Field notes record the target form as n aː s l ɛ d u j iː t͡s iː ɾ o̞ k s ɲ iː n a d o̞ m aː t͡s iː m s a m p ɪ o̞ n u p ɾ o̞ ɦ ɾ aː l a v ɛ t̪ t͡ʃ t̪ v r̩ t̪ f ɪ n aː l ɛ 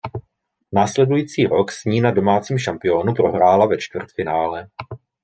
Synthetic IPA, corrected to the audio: n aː s l ɛ d u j iː t͡s iː ɾ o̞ k s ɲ iː n a d o̞ m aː t͡s iː m ʃ a m p ɪ o̞ n u p ɾ o̞ ɦ ɾ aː l a v ɛ t͡ʃ t̪ v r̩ t̪ f ɪ n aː l ɛ